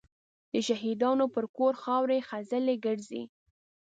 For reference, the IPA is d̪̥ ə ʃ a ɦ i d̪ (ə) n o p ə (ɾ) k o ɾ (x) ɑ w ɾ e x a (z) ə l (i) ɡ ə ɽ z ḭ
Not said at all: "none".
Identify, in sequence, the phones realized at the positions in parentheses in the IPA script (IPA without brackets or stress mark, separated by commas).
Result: ɑ, ɾ, x, z, e